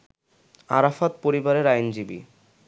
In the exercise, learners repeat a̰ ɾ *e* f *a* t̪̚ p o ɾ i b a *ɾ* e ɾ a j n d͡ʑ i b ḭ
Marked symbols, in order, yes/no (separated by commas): no, yes, yes